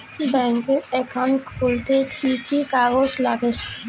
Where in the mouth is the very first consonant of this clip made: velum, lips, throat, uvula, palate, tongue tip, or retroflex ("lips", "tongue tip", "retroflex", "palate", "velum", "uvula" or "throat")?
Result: lips